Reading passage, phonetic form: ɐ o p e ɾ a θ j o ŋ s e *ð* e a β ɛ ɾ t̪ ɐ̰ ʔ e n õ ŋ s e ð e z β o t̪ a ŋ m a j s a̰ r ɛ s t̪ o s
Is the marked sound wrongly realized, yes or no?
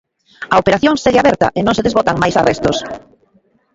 yes